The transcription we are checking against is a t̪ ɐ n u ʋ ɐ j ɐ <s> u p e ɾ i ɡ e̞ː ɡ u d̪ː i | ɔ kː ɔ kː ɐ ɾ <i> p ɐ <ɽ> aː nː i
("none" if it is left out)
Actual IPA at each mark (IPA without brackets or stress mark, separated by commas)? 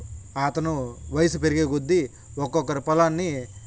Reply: s, i, l